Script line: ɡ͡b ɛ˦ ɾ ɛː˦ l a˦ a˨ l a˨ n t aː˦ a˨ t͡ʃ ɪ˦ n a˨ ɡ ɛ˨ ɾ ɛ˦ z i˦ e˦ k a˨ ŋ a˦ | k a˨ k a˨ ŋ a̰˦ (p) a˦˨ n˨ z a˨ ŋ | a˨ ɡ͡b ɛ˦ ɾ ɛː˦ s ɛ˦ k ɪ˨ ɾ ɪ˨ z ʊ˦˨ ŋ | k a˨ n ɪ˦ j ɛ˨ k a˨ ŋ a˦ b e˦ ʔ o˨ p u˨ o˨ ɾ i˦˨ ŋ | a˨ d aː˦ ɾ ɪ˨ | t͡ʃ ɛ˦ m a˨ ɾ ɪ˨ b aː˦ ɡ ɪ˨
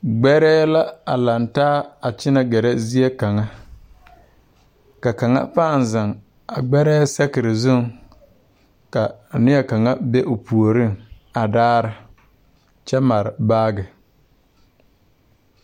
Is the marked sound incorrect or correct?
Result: correct